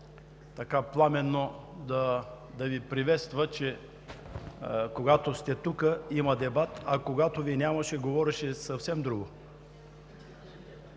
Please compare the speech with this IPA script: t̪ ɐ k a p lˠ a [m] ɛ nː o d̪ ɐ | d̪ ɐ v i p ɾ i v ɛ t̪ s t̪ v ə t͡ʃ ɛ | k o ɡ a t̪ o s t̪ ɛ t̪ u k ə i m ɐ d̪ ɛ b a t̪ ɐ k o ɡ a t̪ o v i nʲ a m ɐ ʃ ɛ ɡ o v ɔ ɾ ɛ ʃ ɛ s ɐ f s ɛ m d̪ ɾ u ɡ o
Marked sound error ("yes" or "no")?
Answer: no